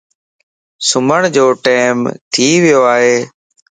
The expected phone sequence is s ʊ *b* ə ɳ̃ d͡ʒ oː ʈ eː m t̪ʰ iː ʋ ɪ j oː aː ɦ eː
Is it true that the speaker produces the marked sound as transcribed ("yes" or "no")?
no